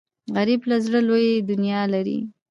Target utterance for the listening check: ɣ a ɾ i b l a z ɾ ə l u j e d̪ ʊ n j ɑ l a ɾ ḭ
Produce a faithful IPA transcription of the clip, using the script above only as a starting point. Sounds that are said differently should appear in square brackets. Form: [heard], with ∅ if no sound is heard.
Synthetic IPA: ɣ a ɾ i b l a z [ɽ] ə l [o] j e d̪ ʊ n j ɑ l a ɾ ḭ